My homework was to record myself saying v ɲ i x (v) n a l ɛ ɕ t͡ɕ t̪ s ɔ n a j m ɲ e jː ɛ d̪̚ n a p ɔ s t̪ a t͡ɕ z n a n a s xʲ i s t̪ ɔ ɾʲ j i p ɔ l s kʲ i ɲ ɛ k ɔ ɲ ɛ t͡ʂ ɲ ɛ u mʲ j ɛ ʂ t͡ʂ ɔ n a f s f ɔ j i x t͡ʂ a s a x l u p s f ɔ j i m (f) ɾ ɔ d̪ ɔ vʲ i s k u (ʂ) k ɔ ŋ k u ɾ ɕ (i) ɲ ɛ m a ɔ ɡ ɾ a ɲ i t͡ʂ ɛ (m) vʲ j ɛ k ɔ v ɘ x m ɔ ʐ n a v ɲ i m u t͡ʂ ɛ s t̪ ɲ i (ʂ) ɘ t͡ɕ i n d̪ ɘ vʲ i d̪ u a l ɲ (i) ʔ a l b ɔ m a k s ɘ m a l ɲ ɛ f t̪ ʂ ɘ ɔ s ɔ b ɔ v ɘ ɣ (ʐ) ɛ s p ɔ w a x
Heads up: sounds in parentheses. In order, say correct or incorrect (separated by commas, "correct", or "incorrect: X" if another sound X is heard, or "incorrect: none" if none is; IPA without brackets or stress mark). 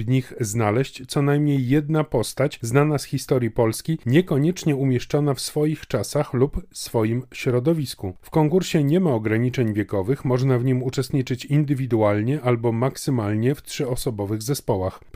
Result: incorrect: z, incorrect: ɕ, incorrect: f, incorrect: ɛ, incorrect: ɲ, incorrect: t͡ʂ, incorrect: ɛ, incorrect: z